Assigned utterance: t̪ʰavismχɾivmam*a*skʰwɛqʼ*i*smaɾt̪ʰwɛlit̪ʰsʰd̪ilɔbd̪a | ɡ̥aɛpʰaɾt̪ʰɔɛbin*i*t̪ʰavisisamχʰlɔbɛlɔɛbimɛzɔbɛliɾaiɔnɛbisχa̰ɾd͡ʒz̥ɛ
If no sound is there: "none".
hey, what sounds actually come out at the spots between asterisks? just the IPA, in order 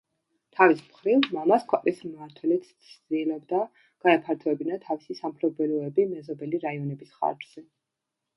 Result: a, i, a

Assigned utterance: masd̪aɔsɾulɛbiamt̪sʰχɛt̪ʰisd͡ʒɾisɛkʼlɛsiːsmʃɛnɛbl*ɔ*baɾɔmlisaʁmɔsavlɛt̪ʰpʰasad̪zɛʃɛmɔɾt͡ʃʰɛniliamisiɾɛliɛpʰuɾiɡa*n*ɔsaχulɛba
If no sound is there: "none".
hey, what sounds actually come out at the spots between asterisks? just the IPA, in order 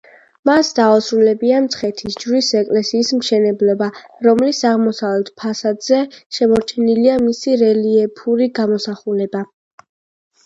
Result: ɔ, m

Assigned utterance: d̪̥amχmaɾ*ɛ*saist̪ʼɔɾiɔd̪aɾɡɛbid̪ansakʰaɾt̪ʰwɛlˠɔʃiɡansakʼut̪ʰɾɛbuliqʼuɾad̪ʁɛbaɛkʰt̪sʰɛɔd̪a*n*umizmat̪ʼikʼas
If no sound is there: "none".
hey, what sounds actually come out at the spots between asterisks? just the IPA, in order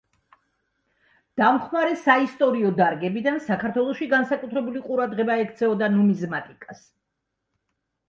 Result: ɛ, n

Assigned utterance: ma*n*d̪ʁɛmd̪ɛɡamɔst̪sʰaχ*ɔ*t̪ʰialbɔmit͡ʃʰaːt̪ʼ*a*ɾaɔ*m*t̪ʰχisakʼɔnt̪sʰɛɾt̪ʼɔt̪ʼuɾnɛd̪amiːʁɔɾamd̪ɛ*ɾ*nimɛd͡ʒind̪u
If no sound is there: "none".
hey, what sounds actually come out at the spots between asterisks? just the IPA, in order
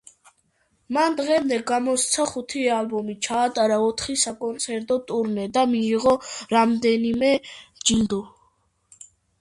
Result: n, u, a, none, none

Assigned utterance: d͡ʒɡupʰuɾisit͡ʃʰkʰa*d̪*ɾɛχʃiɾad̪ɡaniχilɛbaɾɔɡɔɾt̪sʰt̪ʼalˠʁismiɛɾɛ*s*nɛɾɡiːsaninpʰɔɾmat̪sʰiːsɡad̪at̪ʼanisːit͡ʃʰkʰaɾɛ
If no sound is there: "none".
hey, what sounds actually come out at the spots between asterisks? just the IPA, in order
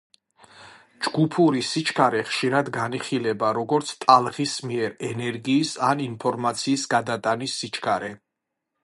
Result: none, none

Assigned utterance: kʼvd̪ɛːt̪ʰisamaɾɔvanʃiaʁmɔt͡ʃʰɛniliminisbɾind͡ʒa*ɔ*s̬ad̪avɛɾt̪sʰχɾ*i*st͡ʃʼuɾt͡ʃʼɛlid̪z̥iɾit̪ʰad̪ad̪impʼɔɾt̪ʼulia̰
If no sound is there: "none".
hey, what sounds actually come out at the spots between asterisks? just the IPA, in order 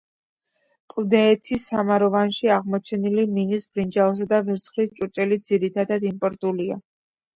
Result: ɔ, i

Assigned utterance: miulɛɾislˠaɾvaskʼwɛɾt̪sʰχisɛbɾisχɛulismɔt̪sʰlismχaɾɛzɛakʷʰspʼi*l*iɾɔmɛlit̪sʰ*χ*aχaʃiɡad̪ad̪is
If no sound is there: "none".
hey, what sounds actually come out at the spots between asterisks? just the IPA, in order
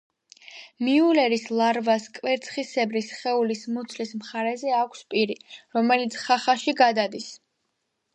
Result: ɾ, χ

